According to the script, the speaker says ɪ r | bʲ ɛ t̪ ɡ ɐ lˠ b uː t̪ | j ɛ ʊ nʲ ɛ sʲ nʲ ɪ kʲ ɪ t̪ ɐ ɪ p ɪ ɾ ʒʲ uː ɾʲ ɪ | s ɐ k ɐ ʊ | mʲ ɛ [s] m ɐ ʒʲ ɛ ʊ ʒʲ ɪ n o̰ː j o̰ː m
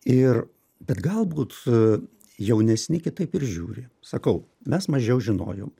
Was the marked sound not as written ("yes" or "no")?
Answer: no